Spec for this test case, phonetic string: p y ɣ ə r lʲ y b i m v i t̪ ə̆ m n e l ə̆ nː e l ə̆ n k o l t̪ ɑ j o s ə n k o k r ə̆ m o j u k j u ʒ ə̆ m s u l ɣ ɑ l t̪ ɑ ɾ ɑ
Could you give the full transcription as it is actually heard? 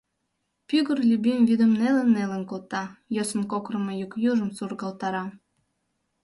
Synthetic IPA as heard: p y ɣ ə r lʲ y b i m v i d̪ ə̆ m n e l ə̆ nː e l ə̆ n k o l t̪ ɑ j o s ə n k o k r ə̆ m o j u k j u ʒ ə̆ m s u r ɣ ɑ l t̪ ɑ ɾ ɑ